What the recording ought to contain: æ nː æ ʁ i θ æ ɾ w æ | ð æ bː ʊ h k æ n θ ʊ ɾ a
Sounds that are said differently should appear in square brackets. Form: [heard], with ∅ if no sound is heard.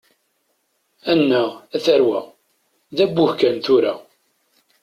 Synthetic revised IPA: æ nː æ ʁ [æ] θ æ ɾ w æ | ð æ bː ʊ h k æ n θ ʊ ɾ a